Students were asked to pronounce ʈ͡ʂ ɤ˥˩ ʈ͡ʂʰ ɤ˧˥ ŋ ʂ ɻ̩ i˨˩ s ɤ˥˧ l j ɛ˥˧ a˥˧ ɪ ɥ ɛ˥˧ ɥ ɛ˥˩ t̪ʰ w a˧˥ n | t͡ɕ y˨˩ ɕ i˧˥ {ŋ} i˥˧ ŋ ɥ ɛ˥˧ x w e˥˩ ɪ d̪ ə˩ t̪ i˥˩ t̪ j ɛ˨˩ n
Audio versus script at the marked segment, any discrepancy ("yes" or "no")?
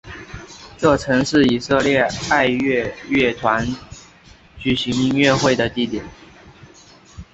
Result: no